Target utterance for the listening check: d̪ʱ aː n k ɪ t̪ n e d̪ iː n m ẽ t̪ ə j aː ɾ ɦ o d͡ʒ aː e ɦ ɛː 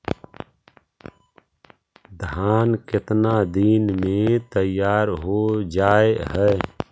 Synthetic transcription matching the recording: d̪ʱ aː n k ɪ t̪ n a d̪ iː n m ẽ t̪ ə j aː ɾ ɦ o d͡ʒ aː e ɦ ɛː